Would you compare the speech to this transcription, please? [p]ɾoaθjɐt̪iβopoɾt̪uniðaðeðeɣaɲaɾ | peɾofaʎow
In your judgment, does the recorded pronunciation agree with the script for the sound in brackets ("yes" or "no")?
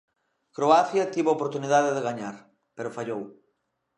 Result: no